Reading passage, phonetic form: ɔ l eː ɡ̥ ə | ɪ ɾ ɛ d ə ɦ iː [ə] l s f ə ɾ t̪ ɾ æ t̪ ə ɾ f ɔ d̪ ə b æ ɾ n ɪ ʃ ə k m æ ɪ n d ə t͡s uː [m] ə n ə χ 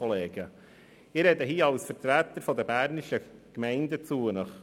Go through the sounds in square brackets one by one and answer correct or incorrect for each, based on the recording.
incorrect, incorrect

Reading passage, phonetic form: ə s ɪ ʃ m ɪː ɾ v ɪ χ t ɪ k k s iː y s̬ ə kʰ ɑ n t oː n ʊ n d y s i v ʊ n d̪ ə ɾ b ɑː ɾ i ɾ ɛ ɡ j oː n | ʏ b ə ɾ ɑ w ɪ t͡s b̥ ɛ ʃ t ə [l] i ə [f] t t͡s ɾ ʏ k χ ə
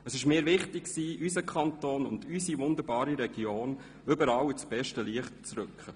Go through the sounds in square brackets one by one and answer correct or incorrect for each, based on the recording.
correct, incorrect

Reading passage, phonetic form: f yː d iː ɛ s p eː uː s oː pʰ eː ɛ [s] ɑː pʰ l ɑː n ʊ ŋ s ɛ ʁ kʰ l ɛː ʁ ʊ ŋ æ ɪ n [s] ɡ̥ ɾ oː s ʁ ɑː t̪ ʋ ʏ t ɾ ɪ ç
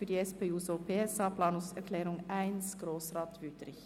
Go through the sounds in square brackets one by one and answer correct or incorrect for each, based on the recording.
correct, correct

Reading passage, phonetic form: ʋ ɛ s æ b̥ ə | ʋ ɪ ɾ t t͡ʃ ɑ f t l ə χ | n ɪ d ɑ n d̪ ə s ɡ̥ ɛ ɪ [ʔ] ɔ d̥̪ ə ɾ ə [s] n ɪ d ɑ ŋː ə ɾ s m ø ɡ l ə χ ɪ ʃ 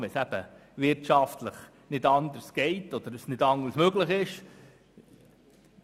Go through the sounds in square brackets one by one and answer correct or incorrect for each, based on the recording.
incorrect, correct

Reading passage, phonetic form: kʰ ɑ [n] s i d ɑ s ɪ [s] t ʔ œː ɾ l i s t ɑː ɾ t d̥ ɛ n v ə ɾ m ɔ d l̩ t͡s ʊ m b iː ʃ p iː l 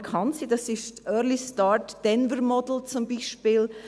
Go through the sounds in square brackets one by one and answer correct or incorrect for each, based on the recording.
correct, incorrect

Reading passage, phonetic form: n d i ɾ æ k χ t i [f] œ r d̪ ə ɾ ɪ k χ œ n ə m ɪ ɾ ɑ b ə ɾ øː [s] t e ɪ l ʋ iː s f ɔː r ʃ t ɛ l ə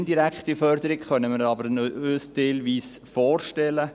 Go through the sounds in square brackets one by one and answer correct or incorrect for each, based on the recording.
correct, correct

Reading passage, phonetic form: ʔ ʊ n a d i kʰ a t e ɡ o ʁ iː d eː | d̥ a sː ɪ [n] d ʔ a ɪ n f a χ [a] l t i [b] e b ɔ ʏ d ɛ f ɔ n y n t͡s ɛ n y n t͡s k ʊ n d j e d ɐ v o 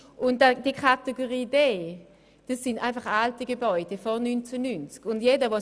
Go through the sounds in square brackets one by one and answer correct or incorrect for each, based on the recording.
correct, correct, incorrect

